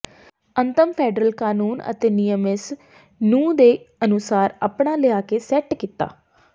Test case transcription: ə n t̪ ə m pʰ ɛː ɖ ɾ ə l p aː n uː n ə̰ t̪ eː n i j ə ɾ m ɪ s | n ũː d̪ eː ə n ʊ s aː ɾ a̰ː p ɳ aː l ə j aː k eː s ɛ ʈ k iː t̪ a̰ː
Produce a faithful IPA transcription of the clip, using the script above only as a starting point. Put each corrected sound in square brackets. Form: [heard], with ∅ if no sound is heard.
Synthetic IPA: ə n t̪ ə m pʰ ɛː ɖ ɾ ə l [k] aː n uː n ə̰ t̪ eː n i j ə [∅] m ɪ s | n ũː d̪ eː ə n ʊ s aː ɾ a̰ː p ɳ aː l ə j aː k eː s ɛ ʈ k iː t̪ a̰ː